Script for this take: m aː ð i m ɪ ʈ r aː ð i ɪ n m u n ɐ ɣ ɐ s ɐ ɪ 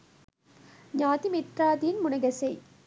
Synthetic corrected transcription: ɲ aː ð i m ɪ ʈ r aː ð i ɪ n m ʊ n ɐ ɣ ɐ s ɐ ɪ